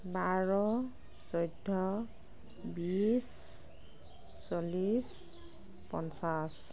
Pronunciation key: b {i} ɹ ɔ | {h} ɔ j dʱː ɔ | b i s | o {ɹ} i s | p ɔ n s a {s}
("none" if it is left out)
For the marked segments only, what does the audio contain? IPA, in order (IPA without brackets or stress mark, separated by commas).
a, s, l, s